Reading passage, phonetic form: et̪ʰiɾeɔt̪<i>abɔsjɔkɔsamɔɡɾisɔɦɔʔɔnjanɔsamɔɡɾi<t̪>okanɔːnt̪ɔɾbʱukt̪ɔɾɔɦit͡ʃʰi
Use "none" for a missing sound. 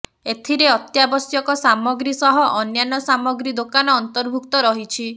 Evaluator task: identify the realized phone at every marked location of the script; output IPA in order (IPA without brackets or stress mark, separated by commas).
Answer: j, d̪